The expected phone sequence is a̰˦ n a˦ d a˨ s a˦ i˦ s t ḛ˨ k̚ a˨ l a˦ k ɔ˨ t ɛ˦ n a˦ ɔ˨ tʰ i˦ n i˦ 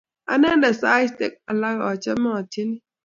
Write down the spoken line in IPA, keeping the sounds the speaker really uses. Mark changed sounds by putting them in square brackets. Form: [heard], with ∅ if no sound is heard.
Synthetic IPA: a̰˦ n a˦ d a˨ s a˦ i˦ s t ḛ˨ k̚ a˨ l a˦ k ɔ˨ [t͡ʃ] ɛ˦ [m] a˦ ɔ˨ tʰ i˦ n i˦